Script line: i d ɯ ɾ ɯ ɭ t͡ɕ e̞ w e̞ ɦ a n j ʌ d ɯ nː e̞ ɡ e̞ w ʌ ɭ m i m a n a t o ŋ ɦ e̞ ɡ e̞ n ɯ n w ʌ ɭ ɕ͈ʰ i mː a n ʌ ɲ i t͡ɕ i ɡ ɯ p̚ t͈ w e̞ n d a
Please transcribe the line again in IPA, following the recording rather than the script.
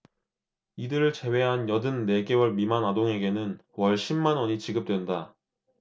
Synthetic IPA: i d ɯ ɾ ɯ ɭ t͡ɕ e̞ w e̞ ɦ a n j ʌ d ɯ nː e̞ ɡ e̞ w ʌ ɭ m i m a n a d o ŋ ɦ e̞ ɡ e̞ n ɯ n w ʌ ɭ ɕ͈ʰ i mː a n ʌ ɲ i t͡ɕ i ɡ ɯ p̚ t͈ w e̞ n d a